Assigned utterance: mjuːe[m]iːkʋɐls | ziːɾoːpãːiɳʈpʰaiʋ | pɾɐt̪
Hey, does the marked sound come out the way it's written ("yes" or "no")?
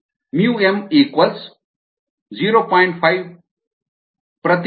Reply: yes